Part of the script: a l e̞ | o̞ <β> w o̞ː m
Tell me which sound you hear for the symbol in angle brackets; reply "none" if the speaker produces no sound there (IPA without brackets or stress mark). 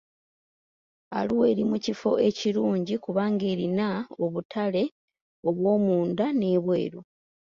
β